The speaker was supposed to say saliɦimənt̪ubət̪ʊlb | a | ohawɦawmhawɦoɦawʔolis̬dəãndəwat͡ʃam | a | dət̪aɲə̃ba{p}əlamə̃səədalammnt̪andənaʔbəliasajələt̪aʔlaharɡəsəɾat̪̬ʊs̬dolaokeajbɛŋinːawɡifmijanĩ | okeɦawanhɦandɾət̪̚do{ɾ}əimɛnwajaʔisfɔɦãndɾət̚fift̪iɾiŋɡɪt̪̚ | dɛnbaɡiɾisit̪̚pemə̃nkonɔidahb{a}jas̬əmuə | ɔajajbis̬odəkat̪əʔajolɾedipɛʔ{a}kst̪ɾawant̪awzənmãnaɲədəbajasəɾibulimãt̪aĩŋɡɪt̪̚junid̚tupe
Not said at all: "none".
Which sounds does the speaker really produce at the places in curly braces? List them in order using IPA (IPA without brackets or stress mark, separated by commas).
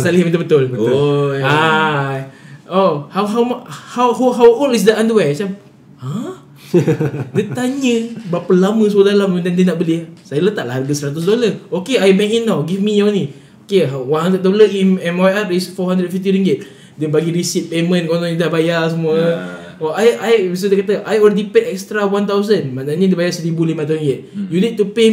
p, l, a, ɛ